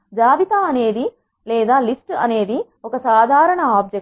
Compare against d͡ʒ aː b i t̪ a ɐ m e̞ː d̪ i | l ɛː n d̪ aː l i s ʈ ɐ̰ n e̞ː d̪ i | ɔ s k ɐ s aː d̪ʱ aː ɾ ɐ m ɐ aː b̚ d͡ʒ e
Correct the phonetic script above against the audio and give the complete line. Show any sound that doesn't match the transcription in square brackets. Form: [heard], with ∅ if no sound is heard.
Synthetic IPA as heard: d͡ʒ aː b i t̪ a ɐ [n] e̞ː d̪ i | l ɛː [∅] d̪ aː l i s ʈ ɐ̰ n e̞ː d̪ i | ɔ [∅] k ɐ s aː d̪ʱ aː ɾ ɐ [ɳ] ɐ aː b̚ d͡ʒ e